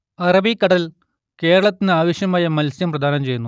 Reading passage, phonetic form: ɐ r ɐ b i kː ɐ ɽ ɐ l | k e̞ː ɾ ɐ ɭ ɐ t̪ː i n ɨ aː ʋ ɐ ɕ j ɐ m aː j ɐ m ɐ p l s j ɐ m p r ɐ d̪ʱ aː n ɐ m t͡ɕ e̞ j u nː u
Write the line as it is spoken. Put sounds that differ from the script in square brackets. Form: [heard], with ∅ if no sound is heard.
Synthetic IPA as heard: ɐ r ɐ b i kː ɐ ɽ ɐ l | k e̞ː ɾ ɐ ɭ ɐ t̪ː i n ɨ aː ʋ ɐ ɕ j ɐ m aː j ɐ m ɐ [∅] l s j ɐ m p r ɐ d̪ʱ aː n ɐ m t͡ɕ e̞ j u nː u